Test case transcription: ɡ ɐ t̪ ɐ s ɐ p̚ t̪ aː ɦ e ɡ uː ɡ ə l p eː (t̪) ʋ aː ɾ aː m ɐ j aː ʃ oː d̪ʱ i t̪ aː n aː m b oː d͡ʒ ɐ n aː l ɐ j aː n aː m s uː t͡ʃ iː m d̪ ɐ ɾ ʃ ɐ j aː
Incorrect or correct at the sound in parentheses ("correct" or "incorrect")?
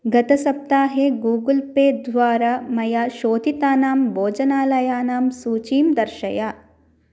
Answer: incorrect